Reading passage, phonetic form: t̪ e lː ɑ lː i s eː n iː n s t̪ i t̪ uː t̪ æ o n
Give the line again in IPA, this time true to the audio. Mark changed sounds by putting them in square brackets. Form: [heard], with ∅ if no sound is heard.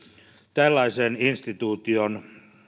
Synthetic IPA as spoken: t̪ [æ] lː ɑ [∅] i s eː n [i] n s t̪ i t̪ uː t̪ [i] o n

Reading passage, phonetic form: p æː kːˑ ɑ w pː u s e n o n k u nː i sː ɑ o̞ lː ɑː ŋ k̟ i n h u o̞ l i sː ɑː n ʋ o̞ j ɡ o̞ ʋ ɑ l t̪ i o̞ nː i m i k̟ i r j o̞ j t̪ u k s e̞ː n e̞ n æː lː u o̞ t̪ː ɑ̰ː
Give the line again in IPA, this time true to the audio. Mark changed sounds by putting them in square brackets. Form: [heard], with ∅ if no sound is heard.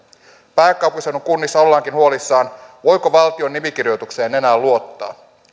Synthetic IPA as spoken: p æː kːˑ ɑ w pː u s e n o [ŋ] k u nː i sː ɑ o̞ lː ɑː ŋ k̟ i n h u o̞ l i sː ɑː n ʋ o̞ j [k] o̞ ʋ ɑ l t̪ i o̞ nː i m i k̟ i r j o̞ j t̪ u k s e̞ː n e̞ n æː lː u o̞ t̪ː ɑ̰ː

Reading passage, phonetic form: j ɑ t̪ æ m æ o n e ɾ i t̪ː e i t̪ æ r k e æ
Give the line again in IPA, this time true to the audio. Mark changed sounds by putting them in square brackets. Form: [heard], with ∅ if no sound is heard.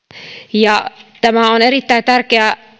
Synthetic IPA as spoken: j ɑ t̪ æ m æ o n e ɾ i t̪ː [æ] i t̪ æ r k e æ

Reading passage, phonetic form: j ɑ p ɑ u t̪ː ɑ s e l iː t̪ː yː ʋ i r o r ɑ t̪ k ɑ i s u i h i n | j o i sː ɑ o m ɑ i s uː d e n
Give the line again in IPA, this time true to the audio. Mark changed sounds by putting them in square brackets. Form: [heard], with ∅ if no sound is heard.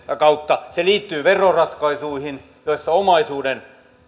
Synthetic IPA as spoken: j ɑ [k] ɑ u t̪ː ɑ s e l iː t̪ː yː ʋ [e] r o r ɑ t̪ k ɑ i s u i h i n | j o i sː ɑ o m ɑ i s uː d e n

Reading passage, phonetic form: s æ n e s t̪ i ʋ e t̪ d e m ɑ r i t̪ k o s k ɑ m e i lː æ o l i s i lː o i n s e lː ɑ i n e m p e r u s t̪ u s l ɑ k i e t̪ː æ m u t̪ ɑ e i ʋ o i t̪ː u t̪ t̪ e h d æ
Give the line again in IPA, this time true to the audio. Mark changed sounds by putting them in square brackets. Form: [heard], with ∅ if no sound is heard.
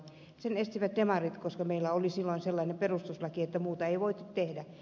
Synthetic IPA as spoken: s [e] n e s t̪ i ʋ [æ] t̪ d e m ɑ r i t̪ k o s k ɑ m e i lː æ o l i s i lː o i n s e lː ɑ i n e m p e r u s t̪ u s l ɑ k i e t̪ː æ m [uː] t̪ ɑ e i ʋ o i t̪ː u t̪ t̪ e h d æ

